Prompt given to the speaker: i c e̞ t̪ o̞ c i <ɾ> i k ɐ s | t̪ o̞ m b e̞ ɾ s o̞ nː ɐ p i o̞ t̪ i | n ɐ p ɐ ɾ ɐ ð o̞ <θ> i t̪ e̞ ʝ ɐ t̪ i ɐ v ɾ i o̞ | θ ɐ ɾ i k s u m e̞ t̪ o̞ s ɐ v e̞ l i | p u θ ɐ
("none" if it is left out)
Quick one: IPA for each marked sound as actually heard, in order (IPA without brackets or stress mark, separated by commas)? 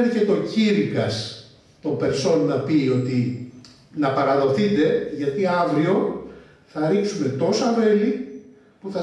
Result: ɾ, θ